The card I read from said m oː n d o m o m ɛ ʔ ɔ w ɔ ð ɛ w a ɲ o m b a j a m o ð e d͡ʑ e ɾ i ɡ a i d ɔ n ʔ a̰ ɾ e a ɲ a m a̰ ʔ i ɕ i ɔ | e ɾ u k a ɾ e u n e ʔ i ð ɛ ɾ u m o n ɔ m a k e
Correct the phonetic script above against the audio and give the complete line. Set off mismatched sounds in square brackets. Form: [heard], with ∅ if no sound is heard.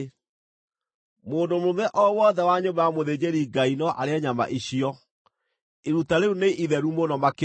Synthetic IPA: m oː n d o m o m ɛ ʔ ɔ w ɔ ð ɛ w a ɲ o m b a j a m o ð e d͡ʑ e ɾ i ɡ a i [n] ɔ [∅] ʔ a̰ ɾ e a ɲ a m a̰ ʔ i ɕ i ɔ | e ɾ u [t] a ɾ e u n e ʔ i ð ɛ ɾ u m o n ɔ m a k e